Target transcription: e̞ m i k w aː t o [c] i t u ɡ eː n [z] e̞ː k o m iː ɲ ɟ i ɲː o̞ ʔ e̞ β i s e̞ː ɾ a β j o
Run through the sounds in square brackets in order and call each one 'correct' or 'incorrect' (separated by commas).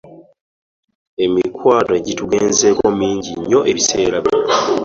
incorrect, correct